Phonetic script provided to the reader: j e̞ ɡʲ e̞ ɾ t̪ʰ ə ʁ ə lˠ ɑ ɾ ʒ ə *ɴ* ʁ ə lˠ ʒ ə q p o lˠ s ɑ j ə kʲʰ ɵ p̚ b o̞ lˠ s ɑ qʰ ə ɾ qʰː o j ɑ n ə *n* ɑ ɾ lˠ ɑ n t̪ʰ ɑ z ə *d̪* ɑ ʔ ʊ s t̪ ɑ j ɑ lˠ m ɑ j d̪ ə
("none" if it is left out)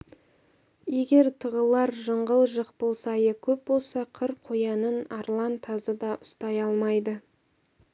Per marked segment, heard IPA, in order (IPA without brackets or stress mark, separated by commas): ɴ, n, d̪